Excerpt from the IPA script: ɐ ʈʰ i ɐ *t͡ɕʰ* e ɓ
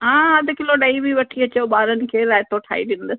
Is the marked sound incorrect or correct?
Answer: incorrect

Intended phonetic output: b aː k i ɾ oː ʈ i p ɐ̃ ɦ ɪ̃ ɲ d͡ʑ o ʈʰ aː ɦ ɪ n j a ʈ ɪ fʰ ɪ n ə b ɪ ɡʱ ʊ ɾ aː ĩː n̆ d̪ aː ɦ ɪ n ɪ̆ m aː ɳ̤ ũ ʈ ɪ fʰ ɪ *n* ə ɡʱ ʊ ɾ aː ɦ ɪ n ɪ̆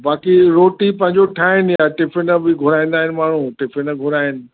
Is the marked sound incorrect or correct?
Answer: correct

